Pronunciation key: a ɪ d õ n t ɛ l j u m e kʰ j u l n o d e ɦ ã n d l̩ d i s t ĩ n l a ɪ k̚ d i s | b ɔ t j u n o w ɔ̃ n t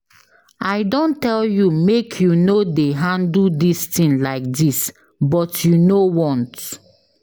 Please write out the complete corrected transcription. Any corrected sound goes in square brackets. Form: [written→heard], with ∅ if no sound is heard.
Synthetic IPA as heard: a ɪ d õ n t ɛ l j u m e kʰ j u [l→∅] n o d e ɦ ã n d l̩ d i s t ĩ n l a ɪ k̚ d i s | b ɔ t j u n o w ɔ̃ n t